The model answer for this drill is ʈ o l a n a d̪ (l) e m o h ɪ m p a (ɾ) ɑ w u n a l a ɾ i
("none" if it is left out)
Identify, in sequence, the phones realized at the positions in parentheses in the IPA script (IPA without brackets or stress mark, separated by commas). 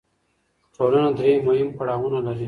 ɾ, ɽ